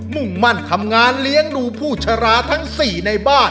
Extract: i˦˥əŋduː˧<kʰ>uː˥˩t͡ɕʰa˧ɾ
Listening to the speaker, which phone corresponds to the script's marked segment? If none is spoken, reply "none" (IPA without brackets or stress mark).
pʰ